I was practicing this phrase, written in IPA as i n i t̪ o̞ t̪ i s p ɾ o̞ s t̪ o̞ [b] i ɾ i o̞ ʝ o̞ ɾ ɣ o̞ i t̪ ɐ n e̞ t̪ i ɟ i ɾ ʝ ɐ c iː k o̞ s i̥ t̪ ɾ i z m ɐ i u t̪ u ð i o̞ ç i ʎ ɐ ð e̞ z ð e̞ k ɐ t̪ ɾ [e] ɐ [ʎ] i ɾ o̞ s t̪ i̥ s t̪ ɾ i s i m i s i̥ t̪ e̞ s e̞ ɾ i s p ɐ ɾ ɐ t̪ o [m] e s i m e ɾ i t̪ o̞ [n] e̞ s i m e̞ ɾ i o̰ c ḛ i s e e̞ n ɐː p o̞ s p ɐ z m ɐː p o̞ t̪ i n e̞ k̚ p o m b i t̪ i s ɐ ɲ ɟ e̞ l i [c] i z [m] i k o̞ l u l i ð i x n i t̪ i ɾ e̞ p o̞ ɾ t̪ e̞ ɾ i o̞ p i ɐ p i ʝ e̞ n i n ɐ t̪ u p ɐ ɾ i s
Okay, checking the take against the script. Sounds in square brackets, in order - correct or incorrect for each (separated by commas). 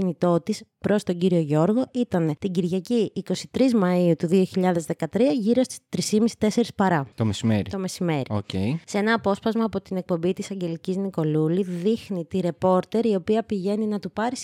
incorrect, incorrect, incorrect, correct, incorrect, correct, incorrect